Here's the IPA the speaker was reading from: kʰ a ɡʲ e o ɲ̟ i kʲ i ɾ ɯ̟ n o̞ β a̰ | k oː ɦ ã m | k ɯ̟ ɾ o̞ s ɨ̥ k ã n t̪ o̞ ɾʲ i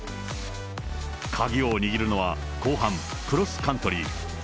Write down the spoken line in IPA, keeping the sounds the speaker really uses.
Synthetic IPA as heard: kʰ a ɡʲ i o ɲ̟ i ɡʲ i ɾ ɯ̟ n o̞ β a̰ | k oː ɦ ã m | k ɯ̟ ɾ o̞ s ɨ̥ k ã n t̪ o̞ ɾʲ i